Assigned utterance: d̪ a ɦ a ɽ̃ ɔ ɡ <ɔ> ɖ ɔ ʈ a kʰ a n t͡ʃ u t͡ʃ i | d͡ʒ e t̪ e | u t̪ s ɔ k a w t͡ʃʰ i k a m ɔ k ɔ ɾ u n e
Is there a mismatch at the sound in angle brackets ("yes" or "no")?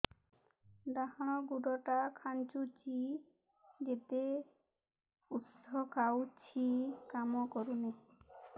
yes